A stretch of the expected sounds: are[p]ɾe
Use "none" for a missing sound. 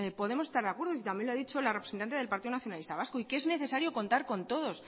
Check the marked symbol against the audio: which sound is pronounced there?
p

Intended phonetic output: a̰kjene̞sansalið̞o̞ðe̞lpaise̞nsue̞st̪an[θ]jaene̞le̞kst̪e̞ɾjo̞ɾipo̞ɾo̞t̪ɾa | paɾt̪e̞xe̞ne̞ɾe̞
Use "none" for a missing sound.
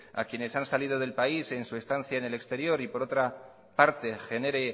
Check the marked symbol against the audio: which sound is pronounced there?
θ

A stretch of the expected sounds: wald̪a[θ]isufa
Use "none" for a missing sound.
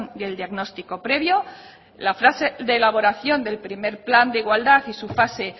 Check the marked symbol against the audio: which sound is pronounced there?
θ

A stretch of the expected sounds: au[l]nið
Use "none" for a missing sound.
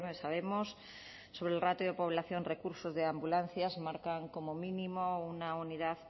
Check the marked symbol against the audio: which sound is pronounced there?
none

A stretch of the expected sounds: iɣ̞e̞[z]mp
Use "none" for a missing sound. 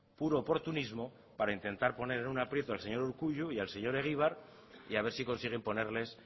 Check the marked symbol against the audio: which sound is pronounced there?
none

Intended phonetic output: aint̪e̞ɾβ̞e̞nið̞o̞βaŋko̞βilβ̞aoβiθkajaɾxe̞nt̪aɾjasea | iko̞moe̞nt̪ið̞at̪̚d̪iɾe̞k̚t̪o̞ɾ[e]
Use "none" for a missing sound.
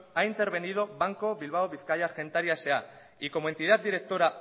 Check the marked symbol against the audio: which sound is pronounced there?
a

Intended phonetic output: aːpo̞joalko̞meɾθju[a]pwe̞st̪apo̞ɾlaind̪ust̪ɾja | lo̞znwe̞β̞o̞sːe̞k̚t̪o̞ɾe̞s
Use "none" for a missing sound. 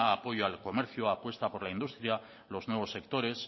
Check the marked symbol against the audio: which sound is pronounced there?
a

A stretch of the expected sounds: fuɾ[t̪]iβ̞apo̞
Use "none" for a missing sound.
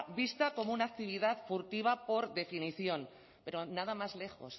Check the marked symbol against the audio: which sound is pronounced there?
t̪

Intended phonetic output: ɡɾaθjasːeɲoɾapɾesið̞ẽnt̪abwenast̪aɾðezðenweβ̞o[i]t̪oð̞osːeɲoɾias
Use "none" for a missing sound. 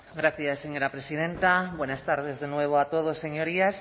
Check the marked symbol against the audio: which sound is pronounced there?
a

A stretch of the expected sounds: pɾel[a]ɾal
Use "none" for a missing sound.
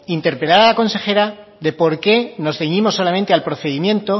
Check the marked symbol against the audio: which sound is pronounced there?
a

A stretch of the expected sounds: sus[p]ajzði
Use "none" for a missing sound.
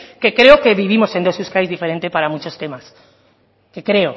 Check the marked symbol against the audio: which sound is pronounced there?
k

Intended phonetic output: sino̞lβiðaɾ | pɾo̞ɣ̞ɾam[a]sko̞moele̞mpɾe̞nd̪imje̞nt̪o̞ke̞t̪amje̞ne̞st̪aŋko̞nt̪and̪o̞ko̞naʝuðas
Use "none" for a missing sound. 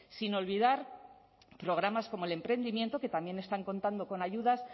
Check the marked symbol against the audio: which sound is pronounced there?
a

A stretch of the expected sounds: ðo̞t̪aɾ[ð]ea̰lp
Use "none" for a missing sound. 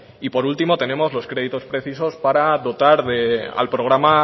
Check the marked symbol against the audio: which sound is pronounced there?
ð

